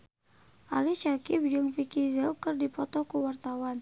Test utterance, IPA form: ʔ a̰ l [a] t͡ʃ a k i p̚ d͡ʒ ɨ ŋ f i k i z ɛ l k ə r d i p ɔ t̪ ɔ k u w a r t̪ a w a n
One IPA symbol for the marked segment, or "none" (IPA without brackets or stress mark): i